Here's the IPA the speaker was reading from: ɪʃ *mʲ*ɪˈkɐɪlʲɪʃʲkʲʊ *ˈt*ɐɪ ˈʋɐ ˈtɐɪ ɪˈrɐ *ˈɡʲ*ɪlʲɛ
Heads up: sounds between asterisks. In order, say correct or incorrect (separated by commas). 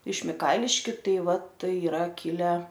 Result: correct, correct, incorrect